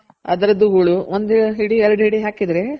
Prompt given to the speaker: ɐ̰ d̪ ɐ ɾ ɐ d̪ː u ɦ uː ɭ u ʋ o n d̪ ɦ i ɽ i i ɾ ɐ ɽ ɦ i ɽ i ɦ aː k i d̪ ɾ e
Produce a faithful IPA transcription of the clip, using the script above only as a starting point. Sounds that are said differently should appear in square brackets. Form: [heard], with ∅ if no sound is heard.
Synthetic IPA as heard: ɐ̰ d̪ ɐ ɾ ɐ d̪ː u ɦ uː ɭ u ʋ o n d̪ ɦ i ɽ i [ɛ] ɾ ɐ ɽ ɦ i ɽ i ɦ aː k i d̪ ɾ e